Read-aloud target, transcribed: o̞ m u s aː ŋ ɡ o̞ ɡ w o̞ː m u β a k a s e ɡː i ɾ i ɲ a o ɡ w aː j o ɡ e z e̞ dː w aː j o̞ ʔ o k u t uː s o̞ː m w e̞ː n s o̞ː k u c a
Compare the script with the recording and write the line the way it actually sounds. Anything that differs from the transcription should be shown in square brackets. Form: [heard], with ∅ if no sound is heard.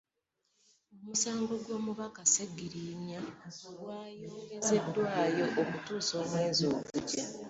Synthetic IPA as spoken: o̞ m u s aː ŋ ɡ o̞ ɡ w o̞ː m u β a k a s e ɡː i ɾ i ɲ a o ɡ w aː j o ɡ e z e̞ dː w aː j o̞ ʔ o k u t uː s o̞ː m w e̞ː n [z] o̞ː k u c a